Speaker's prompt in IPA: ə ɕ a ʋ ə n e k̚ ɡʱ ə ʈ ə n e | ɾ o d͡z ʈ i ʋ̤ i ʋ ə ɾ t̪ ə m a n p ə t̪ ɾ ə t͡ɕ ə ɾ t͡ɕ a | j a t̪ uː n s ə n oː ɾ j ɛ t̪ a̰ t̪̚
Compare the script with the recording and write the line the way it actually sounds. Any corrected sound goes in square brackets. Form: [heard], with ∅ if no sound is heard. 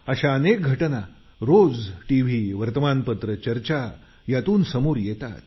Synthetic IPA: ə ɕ a [∅] ə n e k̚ ɡʱ ə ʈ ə n [a] | ɾ o d͡z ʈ i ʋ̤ i ʋ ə ɾ t̪ ə m a n p ə t̪ ɾ ə t͡ɕ ə ɾ t͡ɕ a | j a t̪ uː n s ə [m] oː ɾ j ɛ t̪ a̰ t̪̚